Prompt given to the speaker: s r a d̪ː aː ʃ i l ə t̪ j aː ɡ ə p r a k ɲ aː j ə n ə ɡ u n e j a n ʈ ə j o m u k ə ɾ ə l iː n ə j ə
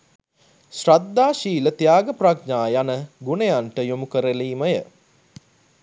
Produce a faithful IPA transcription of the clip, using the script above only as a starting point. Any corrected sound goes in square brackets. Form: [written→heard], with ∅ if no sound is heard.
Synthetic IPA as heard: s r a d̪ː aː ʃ [i→iː] l ə t̪ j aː ɡ ə p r a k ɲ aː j [ə→a] n ə ɡ u n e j a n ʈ ə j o m u k ə ɾ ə l iː [n→m] ə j ə